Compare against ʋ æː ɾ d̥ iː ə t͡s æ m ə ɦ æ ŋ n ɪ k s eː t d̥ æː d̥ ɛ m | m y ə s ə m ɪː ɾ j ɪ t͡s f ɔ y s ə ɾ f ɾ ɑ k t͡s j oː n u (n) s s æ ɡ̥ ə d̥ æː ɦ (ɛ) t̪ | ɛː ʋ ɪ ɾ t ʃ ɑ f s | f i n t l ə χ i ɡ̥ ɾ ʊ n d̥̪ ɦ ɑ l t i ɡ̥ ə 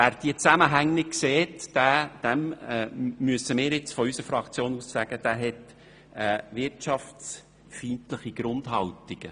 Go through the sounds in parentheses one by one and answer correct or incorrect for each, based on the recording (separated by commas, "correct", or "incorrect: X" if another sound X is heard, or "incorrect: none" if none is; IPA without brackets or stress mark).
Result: incorrect: none, correct